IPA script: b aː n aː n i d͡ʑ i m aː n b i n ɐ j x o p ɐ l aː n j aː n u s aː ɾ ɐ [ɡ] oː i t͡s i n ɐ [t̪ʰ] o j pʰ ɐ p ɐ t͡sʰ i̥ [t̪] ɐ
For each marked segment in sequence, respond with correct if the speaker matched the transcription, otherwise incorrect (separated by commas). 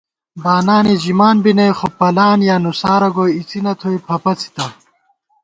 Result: correct, correct, correct